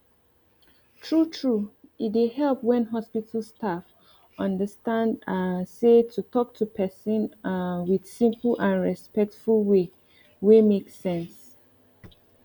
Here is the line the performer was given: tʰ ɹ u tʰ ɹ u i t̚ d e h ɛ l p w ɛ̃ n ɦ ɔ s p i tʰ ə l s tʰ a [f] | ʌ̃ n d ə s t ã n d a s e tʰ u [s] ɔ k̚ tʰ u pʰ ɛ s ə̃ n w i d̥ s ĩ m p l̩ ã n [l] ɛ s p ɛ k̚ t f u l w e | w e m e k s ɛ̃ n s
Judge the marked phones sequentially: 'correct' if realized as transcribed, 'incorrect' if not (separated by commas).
correct, incorrect, incorrect